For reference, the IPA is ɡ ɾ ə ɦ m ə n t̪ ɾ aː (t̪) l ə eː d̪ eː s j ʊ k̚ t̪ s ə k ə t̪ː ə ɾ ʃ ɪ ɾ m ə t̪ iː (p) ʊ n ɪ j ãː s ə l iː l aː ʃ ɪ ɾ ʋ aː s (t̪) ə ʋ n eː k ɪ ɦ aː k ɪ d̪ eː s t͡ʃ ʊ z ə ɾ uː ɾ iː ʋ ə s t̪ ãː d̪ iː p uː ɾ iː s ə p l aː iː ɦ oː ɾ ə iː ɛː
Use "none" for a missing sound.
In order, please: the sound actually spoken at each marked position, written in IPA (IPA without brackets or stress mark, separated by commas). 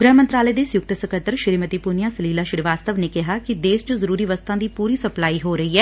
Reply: none, p, t̪